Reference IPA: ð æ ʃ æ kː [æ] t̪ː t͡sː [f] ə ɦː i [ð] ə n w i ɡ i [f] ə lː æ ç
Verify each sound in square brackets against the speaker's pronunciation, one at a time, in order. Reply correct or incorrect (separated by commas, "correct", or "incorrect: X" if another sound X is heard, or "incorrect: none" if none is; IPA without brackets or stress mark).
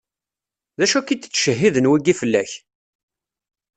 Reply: incorrect: i, incorrect: ʃ, correct, correct